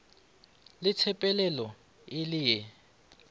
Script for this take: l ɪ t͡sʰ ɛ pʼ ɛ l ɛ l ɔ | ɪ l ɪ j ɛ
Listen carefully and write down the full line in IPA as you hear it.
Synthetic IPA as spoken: l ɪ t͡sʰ ɛ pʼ ɛ l ɛ l ɔ | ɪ l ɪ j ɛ